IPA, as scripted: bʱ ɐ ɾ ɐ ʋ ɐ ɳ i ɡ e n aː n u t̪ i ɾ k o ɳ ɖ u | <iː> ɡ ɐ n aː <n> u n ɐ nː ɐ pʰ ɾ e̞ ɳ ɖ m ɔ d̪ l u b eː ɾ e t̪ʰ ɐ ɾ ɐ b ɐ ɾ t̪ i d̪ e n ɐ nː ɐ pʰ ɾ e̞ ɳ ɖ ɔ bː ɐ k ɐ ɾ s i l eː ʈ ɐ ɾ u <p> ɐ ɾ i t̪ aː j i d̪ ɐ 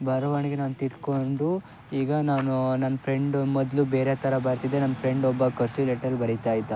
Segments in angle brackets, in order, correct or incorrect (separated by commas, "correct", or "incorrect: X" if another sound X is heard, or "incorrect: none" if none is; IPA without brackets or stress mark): correct, correct, incorrect: b